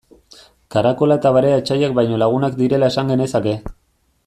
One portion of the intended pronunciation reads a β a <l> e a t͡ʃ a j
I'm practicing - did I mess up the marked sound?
yes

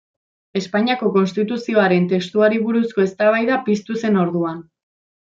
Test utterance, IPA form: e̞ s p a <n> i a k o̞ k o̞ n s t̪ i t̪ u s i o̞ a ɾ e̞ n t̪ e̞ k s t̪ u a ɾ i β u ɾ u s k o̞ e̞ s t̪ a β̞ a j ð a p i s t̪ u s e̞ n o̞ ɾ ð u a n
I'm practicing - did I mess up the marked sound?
yes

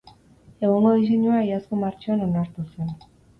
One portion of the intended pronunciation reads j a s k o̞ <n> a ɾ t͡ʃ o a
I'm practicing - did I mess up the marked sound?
yes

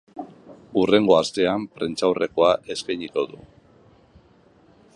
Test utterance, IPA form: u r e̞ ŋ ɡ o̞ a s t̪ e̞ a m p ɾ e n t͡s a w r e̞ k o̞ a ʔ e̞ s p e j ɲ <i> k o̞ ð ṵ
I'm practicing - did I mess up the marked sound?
no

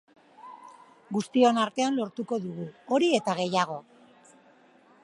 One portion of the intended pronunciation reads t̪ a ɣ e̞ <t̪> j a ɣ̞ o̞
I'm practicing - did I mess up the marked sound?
yes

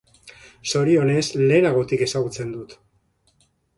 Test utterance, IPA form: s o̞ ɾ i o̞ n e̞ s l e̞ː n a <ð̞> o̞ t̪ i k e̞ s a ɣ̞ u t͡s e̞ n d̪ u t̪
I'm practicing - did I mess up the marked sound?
yes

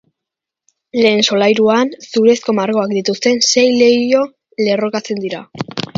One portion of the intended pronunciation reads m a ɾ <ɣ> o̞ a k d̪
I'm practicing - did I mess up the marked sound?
no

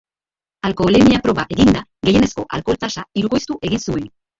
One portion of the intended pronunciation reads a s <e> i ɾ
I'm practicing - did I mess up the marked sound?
yes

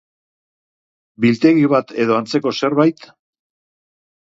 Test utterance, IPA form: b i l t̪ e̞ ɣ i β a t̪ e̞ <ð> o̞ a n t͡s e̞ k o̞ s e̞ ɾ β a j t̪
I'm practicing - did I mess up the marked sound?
no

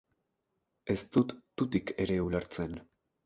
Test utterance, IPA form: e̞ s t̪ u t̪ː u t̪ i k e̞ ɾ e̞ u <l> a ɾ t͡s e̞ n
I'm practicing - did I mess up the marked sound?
no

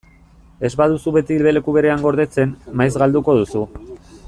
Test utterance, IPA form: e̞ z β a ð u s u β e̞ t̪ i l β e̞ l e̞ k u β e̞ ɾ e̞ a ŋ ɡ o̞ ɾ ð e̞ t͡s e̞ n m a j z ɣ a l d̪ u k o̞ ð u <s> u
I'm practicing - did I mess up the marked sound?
no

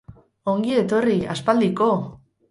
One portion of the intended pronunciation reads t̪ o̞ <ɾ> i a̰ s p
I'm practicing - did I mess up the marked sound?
yes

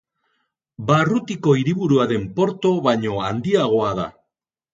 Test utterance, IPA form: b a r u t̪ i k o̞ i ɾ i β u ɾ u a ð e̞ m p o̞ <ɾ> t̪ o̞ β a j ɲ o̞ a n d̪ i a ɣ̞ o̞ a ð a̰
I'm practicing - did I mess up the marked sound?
no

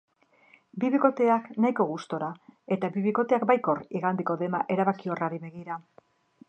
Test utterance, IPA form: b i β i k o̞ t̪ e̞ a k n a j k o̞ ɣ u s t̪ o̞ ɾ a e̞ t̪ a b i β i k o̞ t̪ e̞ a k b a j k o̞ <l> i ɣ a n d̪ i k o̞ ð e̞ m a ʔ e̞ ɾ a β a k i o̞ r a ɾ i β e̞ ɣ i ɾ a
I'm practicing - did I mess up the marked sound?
yes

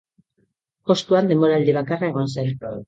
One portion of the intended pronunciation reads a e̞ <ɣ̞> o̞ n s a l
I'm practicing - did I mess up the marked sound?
no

